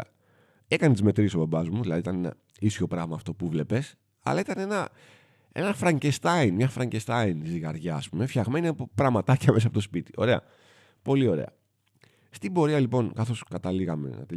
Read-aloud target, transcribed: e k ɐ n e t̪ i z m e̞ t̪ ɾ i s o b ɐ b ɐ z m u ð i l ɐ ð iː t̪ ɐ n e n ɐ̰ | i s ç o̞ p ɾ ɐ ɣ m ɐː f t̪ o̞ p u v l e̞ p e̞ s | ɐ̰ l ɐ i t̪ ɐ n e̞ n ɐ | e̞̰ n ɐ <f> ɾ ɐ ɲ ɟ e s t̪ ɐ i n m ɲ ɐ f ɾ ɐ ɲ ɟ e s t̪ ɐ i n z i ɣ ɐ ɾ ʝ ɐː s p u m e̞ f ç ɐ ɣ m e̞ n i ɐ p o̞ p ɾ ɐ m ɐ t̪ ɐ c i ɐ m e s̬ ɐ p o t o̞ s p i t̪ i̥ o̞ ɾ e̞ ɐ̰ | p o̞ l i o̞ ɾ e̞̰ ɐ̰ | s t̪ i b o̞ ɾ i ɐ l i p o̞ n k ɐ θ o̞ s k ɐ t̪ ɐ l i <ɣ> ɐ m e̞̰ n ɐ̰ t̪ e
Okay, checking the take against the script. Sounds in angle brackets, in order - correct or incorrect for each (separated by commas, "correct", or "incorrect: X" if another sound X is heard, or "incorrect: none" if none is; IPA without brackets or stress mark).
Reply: correct, correct